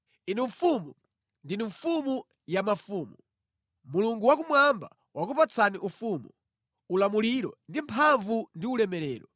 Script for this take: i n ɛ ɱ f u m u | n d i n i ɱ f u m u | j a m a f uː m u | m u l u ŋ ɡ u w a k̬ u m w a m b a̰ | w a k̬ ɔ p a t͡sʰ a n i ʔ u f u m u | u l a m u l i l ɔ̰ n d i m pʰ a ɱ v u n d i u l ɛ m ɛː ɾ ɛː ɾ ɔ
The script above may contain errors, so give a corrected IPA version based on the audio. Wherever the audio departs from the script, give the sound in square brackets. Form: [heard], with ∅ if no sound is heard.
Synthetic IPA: i n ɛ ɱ f u m u | n d i n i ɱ f u m u | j a m a f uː m u | m u l u ŋ ɡ u w a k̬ u m w a m b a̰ | w a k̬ [u] p a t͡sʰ a n i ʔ u f u m u | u l a m u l i [ɾ] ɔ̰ n d i m pʰ a ɱ v u n d i u l ɛ m [ɛ] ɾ ɛː ɾ ɔ